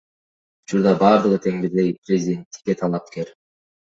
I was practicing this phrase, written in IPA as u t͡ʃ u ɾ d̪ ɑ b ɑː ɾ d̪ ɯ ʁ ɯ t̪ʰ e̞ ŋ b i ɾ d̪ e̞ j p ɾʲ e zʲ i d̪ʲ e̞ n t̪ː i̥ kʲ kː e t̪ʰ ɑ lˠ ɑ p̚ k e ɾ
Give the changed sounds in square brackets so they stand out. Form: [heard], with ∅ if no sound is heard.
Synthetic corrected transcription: u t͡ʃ u ɾ d̪ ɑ b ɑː ɾ d̪ ɯ ʁ ɯ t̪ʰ e̞ ŋ b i ɾ d̪ e̞ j p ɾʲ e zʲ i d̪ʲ e̞ n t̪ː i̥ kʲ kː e t̪ʰ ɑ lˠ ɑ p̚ k e ɾ

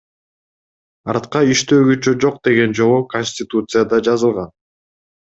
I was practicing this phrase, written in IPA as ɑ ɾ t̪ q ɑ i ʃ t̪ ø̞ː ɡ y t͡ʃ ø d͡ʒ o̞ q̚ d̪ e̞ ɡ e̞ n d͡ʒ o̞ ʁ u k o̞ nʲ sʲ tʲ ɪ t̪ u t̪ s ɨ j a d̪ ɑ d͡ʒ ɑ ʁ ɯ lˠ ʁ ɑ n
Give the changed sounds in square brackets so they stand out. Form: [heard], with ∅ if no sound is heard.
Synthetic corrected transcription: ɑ ɾ t̪ q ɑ i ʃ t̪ ø̞ː ɡ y t͡ʃ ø d͡ʒ o̞ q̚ d̪ e̞ ɡ e̞ n d͡ʒ o̞ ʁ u k o̞ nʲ sʲ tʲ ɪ t̪ u t̪ s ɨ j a d̪ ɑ d͡ʒ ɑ [z] ɯ lˠ ʁ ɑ n

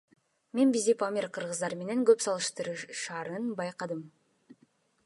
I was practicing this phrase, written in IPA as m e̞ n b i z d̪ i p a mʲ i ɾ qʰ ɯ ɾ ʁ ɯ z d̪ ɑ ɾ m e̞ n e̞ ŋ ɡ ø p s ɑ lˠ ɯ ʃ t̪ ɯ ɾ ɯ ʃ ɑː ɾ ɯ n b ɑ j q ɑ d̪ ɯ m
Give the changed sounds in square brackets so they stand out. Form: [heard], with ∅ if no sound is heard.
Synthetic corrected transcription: m e̞ n b i z d̪ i p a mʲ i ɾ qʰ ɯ ɾ ʁ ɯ z d̪ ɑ ɾ m e̞ n e̞ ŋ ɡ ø p s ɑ lˠ ɯ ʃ t̪ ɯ ɾ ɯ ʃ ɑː ɾ ɯ n b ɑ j q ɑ d̪ ɯ m

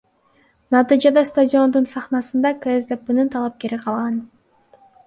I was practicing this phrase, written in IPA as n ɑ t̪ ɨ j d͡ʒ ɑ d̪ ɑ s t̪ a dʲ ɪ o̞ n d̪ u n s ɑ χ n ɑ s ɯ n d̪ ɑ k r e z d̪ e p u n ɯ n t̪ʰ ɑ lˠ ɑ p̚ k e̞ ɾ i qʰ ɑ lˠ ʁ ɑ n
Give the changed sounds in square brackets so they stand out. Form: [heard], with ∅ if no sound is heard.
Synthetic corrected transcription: n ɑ t̪ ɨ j d͡ʒ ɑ d̪ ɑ s t̪ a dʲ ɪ o̞ n d̪ u n s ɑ χ n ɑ s ɯ n d̪ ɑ k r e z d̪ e p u n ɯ n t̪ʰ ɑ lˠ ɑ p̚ k e̞ ɾ i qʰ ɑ lˠ ʁ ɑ n

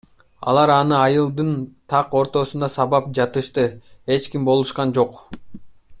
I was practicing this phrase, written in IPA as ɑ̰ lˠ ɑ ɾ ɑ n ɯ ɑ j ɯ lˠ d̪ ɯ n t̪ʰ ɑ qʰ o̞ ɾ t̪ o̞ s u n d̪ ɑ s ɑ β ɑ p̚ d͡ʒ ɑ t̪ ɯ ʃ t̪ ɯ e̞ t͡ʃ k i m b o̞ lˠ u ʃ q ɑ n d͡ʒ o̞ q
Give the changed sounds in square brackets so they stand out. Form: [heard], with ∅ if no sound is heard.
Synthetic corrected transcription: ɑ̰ lˠ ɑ ɾ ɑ n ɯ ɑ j ɯ lˠ d̪ ɯ n t̪ʰ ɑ [q] o̞ ɾ t̪ o̞ s u n d̪ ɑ s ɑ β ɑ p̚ d͡ʒ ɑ t̪ ɯ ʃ t̪ ɯ e̞ t͡ʃ k i m b o̞ lˠ u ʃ q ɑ n d͡ʒ o̞ q

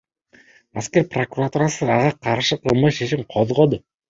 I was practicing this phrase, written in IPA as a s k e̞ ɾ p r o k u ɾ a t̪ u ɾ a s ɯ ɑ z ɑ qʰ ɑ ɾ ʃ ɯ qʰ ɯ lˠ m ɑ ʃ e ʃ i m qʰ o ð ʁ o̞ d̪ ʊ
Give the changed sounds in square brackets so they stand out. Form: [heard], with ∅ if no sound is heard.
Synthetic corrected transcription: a s k e̞ ɾ p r o k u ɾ a t̪ u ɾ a s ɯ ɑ [ʁ] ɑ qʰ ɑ ɾ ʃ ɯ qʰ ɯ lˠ m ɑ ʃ e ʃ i m qʰ o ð ʁ o̞ d̪ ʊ

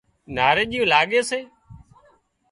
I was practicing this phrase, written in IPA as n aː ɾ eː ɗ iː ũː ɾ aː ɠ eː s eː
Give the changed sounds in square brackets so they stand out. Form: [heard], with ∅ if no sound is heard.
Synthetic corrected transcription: n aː ɾ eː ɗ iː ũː [l] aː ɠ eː s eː

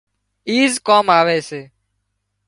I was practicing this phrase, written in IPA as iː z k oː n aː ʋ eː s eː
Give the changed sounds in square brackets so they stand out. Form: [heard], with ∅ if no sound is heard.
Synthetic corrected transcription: iː z k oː [m] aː ʋ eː s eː

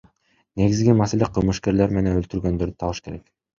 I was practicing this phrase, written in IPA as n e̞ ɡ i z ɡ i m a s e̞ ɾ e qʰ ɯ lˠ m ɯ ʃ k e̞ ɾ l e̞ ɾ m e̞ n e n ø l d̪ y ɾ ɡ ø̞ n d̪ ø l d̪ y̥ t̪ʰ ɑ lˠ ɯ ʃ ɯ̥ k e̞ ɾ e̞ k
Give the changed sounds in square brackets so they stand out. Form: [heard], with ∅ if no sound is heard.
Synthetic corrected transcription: n e̞ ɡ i z ɡ i m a s e̞ [l] e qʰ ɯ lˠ m ɯ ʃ k e̞ ɾ l e̞ ɾ m e̞ n e n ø l [t̪] y ɾ ɡ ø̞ n d̪ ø [ɾ] d̪ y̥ t̪ʰ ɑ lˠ ɯ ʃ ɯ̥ k e̞ ɾ e̞ k

